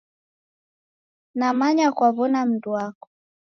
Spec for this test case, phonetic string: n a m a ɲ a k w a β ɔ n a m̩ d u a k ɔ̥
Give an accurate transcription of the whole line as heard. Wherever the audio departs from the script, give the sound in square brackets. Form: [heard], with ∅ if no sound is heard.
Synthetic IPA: n a m a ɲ a k w a β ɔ n a m̩ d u a k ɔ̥